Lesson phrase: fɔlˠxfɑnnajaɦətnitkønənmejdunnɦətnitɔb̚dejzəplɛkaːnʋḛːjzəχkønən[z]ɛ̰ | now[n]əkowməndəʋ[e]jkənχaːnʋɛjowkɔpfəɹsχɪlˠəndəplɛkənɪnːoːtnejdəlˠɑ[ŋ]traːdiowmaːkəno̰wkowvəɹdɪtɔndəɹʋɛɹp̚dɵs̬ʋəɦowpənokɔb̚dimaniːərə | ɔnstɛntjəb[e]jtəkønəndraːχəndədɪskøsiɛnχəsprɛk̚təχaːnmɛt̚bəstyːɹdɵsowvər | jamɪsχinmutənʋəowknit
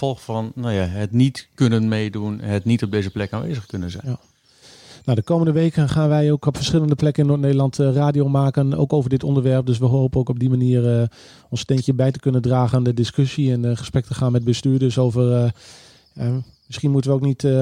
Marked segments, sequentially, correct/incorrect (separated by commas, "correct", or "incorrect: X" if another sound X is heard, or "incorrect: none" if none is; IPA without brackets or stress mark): correct, incorrect: d, correct, incorrect: n, incorrect: ɛ